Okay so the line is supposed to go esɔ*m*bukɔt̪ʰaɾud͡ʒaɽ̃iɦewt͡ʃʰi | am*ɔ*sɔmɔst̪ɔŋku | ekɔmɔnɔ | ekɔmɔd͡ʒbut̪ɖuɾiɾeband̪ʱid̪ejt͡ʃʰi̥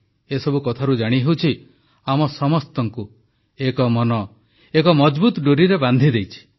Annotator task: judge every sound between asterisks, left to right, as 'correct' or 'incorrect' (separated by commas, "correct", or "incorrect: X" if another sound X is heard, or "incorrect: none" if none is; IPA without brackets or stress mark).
incorrect: none, correct